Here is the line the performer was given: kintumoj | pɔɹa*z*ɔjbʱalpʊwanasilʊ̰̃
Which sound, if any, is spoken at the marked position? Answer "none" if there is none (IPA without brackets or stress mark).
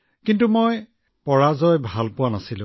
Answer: z